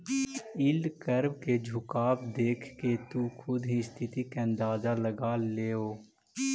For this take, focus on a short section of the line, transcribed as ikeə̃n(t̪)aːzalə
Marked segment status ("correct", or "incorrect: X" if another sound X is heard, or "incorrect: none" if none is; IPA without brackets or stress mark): incorrect: d̪